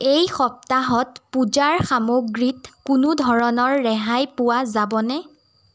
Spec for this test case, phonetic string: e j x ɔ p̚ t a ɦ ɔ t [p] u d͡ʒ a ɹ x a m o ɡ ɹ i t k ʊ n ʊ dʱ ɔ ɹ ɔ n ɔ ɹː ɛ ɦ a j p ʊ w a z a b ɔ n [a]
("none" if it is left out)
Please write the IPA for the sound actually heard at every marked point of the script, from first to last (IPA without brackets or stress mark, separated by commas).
p, ɛ